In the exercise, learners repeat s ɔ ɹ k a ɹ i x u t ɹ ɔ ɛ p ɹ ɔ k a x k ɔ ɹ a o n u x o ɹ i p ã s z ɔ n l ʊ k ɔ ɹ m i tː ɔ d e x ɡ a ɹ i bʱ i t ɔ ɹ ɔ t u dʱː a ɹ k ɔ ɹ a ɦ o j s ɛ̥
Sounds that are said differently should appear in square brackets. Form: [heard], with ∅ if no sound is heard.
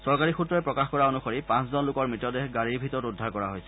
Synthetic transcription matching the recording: s ɔ ɹ k a ɹ i x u t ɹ ɔ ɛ p ɹ ɔ k a x k ɔ ɹ a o n u x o ɹ i p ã s z ɔ n l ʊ k ɔ ɹ m i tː ɔ d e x ɡ a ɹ i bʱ i t ɔ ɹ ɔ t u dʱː a ɹ k ɔ ɹ a ɦ o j s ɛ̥